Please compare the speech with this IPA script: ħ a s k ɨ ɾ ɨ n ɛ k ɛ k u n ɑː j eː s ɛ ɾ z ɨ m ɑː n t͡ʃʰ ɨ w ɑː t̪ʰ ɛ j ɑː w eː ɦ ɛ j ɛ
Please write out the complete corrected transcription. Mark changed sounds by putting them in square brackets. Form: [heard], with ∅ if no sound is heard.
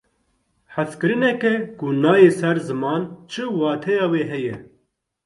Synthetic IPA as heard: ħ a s k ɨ ɾ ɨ n ɛ k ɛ k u n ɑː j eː s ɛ ɾ z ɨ m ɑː n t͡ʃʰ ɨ w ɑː t̪ʰ ɛ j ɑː w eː ɦ ɛ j ɛ

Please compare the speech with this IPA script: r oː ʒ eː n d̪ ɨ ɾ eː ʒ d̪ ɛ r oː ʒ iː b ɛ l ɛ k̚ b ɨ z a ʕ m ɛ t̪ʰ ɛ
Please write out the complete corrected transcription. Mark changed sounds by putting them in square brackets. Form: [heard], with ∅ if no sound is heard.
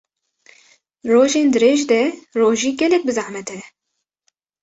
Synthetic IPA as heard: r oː ʒ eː n d̪ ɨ ɾ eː ʒ d̪ ɛ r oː ʒ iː [ɡ] ɛ l ɛ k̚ b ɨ z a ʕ m ɛ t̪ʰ ɛ

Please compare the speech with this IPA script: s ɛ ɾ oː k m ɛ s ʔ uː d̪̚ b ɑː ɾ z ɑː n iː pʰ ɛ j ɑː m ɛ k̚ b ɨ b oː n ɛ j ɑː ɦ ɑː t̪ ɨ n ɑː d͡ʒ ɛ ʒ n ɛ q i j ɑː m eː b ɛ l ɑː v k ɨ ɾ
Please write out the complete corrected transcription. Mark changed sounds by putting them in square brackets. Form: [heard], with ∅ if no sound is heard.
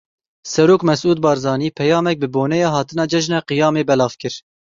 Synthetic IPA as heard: s ɛ ɾ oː k m ɛ s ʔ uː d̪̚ b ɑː ɾ z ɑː n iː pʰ ɛ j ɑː m ɛ k̚ b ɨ b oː n ɛ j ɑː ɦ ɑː t̪ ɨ n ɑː d͡ʒ ɛ ʒ n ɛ q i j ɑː m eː b ɛ l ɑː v k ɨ ɾ

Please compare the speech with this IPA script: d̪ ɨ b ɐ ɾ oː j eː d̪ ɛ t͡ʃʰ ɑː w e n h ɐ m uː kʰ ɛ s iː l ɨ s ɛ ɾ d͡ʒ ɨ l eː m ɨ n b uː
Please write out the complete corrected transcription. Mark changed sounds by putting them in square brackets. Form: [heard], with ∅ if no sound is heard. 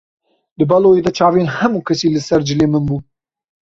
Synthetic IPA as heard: d̪ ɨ b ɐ [l] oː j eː d̪ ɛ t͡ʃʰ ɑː [v] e n h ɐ m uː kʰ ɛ s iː l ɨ s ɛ ɾ d͡ʒ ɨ l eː m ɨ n b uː

